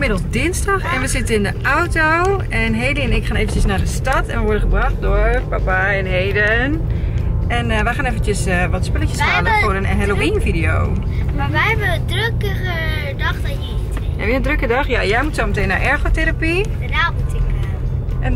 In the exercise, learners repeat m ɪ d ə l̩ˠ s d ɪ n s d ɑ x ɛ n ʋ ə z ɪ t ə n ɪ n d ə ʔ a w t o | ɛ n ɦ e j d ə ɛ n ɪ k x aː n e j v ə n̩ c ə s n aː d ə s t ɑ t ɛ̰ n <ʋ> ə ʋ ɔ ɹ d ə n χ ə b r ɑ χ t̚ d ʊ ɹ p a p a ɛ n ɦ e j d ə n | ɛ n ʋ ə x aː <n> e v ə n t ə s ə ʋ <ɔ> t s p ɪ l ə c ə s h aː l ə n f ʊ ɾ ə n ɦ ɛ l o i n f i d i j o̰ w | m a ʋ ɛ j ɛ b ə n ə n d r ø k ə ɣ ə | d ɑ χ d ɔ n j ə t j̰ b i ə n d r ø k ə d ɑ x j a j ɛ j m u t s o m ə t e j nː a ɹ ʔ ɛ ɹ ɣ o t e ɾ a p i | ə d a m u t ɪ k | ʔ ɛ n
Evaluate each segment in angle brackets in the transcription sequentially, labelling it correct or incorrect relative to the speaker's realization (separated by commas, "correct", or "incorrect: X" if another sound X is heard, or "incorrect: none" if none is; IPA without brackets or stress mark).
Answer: correct, correct, correct